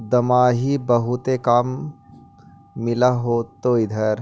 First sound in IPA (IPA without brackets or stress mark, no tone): d̪